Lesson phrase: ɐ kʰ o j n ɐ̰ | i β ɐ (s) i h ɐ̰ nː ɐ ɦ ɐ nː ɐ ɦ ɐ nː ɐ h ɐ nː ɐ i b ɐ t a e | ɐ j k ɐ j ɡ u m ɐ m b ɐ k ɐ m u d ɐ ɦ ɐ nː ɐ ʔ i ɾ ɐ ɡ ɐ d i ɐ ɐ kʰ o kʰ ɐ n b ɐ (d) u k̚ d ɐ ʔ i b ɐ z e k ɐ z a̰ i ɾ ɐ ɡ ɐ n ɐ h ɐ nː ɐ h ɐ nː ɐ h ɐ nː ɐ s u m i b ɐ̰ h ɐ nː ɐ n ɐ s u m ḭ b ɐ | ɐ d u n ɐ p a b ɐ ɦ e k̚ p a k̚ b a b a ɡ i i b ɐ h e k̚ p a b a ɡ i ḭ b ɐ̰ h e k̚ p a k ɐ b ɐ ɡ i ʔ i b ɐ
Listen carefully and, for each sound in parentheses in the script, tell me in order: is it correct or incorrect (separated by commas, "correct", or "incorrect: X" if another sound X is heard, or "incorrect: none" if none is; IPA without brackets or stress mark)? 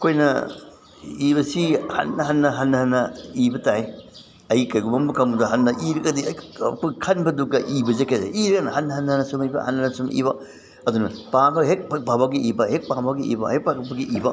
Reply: correct, correct